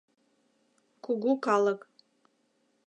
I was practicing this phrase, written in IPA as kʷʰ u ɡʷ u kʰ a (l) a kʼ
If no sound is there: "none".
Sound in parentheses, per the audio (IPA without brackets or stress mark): l